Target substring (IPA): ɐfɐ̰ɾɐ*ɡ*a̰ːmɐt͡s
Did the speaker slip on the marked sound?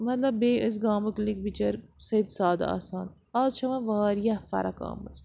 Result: yes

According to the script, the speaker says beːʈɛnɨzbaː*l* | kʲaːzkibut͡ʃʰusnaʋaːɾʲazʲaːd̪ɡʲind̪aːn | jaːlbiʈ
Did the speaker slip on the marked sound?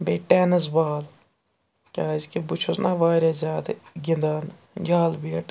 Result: no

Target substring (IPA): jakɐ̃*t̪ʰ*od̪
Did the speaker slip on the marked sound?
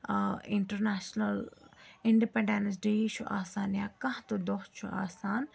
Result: yes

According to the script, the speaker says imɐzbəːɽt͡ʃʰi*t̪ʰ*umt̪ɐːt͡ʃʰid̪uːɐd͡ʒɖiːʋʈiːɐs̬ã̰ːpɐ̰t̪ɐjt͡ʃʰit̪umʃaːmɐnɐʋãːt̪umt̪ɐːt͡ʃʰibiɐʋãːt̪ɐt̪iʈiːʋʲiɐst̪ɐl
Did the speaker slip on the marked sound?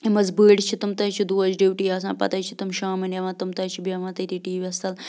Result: yes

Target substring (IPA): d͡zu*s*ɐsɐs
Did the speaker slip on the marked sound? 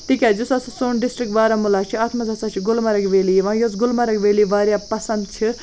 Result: no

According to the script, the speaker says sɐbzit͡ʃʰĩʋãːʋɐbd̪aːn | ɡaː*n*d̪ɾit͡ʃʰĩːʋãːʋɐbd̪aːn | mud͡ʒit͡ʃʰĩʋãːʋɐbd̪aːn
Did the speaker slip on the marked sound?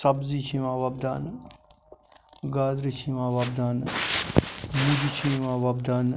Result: yes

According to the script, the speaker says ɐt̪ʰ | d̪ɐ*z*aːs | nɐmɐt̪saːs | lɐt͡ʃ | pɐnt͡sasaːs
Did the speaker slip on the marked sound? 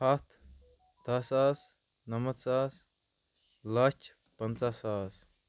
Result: yes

